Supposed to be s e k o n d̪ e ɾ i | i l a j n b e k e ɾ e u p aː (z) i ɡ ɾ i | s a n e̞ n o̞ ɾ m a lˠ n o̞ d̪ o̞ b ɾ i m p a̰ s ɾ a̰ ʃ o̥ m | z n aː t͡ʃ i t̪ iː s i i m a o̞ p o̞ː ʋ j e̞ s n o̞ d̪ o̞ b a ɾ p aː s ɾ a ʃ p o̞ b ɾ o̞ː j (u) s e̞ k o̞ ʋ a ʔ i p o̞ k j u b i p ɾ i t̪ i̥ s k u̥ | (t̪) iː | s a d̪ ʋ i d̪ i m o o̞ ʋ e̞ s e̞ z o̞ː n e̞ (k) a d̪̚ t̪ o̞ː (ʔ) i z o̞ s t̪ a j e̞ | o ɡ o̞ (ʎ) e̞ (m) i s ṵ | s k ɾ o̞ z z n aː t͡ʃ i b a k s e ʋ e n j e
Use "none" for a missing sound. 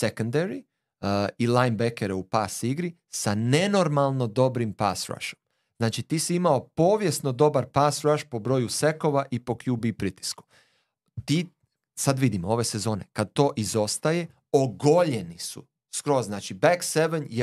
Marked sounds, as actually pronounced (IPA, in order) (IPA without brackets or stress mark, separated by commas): s, u, t̪, k, ʔ, ʎ, n